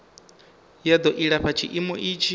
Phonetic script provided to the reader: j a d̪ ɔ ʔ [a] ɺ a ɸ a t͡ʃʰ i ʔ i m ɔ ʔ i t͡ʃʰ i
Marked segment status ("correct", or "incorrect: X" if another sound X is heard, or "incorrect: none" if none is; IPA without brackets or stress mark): incorrect: i